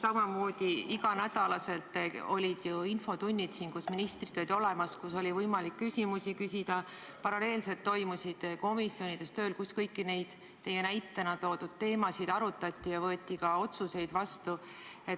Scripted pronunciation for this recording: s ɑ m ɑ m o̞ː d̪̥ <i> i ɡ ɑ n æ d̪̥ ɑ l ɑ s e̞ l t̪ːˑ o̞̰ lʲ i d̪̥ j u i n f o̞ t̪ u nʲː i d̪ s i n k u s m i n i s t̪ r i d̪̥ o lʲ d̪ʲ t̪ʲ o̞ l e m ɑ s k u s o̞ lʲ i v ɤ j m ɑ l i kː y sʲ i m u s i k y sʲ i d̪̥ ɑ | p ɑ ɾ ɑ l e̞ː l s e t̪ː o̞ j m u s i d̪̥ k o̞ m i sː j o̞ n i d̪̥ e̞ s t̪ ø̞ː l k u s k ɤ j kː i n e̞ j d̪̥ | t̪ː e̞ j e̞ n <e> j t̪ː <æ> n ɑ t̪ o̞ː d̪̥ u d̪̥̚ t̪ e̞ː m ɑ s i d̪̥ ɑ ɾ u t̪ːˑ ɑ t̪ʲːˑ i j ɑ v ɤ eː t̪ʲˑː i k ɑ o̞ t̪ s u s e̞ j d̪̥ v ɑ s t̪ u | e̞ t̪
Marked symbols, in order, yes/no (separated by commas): yes, no, no